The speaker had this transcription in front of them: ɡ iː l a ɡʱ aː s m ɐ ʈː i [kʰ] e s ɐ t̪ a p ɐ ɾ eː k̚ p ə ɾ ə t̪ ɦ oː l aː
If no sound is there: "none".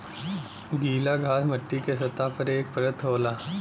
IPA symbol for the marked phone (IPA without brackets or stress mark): k